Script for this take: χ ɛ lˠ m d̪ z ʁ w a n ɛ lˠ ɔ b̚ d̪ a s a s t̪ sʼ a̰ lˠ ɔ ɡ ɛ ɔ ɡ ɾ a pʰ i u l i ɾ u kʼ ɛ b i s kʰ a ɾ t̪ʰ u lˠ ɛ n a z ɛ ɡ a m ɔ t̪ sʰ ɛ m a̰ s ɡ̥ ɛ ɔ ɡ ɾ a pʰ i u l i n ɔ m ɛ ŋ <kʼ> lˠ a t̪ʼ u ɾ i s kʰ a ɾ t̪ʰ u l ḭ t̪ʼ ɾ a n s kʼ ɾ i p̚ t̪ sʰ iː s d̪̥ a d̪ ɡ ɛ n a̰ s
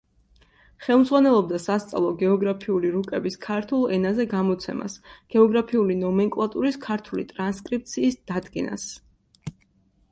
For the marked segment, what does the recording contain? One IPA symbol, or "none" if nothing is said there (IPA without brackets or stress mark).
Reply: kʼ